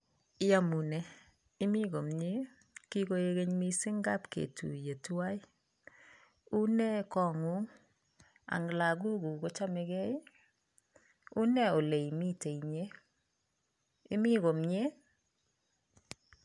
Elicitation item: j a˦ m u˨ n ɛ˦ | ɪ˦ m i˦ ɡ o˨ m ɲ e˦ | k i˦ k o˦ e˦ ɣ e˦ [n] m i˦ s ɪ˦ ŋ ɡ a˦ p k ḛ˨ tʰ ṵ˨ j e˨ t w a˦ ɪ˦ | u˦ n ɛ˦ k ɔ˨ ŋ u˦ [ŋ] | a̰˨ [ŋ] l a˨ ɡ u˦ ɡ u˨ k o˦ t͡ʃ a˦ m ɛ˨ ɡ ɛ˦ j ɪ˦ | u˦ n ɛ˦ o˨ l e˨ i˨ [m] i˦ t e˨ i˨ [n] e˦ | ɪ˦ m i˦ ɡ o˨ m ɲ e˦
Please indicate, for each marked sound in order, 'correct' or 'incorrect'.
incorrect: ɲ, correct, correct, correct, incorrect: ɲ

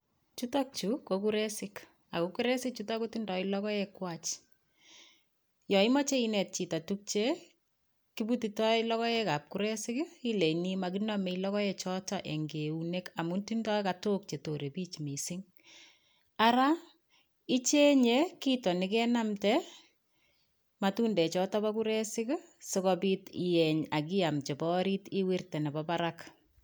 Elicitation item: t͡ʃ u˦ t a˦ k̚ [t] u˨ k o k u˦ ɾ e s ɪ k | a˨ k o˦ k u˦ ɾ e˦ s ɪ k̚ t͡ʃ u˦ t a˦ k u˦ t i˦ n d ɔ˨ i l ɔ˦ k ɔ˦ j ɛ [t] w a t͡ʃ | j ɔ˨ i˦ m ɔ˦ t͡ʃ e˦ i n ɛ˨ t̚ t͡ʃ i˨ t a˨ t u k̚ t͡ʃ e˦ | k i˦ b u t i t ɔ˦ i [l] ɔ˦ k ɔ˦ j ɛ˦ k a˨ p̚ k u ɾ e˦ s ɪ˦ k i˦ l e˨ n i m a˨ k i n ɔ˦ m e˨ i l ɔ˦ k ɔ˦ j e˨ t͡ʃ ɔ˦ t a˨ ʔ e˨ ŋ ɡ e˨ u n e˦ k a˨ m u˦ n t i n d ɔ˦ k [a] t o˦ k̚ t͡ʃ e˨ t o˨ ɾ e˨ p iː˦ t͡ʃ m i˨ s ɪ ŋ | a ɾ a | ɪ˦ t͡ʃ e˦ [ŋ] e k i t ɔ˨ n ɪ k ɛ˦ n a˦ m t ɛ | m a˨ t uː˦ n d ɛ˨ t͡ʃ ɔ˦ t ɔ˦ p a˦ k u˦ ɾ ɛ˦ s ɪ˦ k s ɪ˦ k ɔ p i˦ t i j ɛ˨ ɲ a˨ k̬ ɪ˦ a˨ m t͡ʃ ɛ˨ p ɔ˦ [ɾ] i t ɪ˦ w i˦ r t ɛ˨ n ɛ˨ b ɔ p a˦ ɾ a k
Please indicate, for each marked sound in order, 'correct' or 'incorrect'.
incorrect: t͡ʃ, incorrect: k, correct, correct, incorrect: ɲ, correct

